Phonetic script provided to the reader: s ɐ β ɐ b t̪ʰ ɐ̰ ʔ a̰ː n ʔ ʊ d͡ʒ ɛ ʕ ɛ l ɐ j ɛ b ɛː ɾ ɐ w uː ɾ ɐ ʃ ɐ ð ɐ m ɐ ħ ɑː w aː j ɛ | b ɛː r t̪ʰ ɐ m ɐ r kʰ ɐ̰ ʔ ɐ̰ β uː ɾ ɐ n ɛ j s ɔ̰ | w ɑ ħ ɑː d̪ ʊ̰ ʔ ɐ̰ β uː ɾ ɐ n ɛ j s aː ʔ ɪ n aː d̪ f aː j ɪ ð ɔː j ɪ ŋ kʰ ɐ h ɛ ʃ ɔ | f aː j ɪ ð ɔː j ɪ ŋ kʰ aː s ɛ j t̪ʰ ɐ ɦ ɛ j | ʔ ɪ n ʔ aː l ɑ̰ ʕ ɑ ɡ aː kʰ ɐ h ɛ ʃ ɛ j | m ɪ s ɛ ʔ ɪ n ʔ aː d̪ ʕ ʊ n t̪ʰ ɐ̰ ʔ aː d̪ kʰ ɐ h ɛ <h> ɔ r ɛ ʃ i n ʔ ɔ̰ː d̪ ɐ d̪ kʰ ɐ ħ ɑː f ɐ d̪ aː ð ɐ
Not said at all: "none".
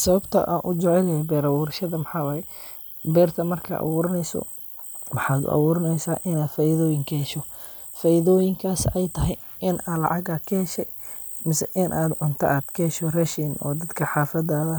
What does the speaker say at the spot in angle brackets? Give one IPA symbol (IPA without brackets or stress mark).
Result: ʃ